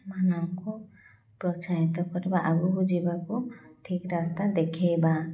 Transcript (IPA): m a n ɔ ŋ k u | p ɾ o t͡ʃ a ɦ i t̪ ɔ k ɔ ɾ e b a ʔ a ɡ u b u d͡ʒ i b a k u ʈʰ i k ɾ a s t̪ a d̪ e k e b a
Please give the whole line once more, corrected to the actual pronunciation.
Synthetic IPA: m a n ɔ ŋ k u | p ɾ ɔ t͡ʃ a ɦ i t̪ ɔ k ɔ ɾ e b a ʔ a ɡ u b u d͡ʒ i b a k u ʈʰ i k ɾ a s t̪ a d̪ e kʰ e b a